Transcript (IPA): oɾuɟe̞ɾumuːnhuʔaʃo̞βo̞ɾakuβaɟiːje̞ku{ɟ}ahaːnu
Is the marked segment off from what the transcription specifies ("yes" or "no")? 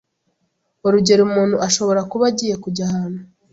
no